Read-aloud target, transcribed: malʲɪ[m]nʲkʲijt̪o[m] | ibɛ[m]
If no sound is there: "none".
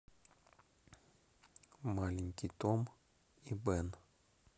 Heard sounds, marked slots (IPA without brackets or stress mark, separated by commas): none, m, n